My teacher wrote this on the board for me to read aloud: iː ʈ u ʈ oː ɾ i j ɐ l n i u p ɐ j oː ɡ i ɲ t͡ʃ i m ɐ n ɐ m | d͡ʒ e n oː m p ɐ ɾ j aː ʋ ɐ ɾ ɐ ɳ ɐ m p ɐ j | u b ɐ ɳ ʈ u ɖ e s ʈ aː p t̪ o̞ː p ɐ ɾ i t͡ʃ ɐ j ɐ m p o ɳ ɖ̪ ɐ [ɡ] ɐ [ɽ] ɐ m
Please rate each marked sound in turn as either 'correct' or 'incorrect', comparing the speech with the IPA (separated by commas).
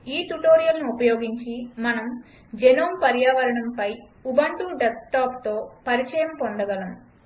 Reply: correct, incorrect